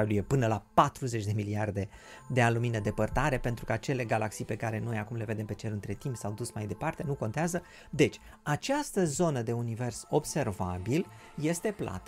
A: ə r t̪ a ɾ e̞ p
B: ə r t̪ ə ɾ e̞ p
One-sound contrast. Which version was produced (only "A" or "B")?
A